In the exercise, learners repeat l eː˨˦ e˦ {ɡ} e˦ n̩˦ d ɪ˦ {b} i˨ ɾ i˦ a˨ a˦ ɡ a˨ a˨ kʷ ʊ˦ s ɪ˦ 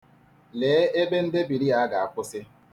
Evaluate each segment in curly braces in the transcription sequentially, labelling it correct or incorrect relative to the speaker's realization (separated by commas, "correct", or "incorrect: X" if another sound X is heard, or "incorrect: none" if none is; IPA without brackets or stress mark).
incorrect: b, correct